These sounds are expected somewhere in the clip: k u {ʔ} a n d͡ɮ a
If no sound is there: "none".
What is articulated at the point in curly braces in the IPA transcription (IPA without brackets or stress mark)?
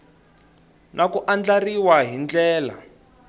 ʔ